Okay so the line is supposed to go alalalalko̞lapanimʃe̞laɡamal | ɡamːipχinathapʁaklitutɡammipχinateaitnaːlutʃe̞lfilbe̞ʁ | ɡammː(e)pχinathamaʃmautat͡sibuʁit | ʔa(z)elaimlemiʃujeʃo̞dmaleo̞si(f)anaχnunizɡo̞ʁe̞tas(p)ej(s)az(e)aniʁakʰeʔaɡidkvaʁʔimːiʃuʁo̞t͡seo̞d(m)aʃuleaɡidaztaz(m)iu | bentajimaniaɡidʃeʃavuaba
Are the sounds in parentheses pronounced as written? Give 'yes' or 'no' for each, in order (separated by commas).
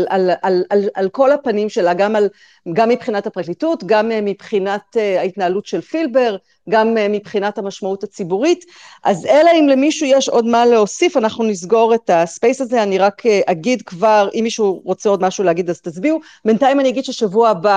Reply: no, yes, yes, yes, yes, yes, yes, no